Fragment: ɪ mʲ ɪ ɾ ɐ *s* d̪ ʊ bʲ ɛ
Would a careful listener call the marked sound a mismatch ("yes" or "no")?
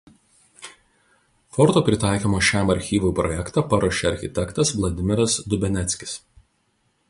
no